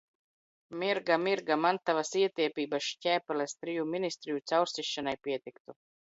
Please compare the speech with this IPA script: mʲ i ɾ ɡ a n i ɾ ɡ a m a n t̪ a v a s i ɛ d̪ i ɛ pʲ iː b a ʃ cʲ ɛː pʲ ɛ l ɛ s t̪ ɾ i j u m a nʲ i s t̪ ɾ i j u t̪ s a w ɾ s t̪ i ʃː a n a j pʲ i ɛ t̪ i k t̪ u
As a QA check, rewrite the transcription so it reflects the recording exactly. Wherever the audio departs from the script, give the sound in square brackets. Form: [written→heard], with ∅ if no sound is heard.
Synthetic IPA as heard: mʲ i ɾ ɡ a [n→m] i ɾ ɡ a m a n t̪ a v a s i ɛ [d̪→t̪] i ɛ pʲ iː b a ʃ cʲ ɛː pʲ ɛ l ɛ s t̪ ɾ i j u m [a→i] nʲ i s t̪ ɾ i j u t̪ s a w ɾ s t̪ i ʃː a n a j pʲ i ɛ t̪ i k t̪ u